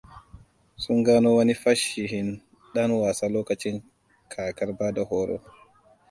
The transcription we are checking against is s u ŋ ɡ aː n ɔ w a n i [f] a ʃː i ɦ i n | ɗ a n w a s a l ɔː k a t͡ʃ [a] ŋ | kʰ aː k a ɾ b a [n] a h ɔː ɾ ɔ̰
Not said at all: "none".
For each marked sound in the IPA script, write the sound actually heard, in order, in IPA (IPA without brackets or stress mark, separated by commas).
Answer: f, i, d